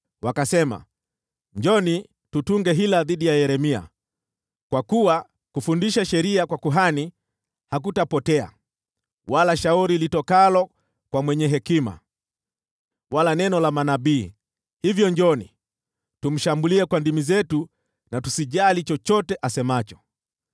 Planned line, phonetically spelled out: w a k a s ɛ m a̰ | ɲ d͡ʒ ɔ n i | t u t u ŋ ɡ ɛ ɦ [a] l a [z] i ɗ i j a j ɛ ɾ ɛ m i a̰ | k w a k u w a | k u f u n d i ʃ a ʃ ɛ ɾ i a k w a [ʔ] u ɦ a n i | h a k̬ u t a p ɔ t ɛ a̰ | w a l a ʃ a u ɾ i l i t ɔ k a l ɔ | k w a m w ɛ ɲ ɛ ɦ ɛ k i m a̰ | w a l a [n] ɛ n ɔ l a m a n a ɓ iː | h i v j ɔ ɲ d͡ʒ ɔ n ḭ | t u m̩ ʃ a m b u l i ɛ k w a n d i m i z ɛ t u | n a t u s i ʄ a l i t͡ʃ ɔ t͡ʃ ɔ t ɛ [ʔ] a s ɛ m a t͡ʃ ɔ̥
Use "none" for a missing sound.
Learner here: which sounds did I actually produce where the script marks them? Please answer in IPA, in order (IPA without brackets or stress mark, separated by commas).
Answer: i, ð, k, n, ʔ